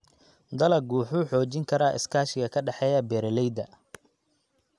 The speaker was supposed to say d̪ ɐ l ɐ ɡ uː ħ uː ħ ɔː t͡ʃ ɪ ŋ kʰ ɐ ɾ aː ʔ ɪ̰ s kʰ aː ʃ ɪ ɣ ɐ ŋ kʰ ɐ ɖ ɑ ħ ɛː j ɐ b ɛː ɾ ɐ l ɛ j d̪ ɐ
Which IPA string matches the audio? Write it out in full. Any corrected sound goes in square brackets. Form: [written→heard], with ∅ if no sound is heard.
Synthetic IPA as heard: d̪ ɐ l ɐ ɡ uː ħ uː ħ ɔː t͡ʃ ɪ ŋ kʰ ɐ ɾ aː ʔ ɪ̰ s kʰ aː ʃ ɪ ɣ ɐ [ŋ→∅] kʰ ɐ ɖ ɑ ħ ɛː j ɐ b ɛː ɾ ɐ l ɛ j d̪ ɐ